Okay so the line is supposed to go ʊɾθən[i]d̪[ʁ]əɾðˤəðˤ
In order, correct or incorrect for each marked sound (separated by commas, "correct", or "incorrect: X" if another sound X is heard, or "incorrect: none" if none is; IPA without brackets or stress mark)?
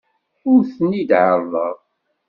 correct, incorrect: ʕ